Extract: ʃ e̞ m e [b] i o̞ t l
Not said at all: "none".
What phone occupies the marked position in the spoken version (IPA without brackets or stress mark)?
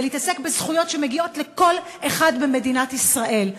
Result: ɡ